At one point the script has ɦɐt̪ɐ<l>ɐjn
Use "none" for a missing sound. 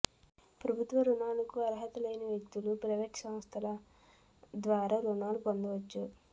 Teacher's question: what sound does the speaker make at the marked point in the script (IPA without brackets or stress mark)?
l